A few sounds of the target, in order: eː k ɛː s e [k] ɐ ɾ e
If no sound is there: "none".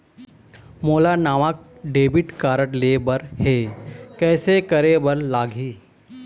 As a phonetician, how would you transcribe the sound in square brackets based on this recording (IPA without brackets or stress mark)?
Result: k